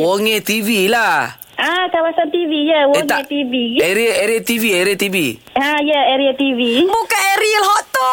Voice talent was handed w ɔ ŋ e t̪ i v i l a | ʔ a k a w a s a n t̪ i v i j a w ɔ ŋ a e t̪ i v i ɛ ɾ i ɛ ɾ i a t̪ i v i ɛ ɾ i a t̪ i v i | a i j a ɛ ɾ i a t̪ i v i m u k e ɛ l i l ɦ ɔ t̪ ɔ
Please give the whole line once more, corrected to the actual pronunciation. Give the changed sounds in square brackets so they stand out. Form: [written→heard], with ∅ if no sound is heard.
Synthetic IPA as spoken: w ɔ ŋ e t̪ i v i l a | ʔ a k a w a s a n t̪ i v i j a w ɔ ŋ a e t̪ i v i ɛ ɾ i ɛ ɾ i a t̪ i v i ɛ ɾ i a t̪ i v i | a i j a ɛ ɾ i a t̪ i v i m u k [e→a] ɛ [l→ɾ] i l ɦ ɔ t̪ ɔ